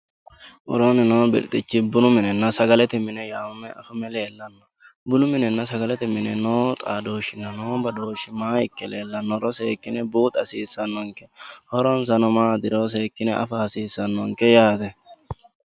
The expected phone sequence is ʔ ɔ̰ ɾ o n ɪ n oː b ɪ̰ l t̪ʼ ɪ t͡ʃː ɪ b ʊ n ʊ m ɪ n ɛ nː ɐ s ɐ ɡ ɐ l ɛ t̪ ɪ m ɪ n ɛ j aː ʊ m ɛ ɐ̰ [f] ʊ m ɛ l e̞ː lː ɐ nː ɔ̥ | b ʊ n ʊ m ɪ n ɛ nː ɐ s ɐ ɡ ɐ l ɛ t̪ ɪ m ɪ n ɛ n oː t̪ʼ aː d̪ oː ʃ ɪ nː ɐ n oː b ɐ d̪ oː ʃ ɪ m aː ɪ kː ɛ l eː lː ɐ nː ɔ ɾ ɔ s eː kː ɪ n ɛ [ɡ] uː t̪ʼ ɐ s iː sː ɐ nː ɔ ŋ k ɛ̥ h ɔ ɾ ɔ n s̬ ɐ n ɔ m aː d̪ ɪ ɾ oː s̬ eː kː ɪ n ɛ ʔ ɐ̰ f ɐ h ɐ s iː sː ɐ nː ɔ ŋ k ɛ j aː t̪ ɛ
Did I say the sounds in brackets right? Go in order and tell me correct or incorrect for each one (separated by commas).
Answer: correct, incorrect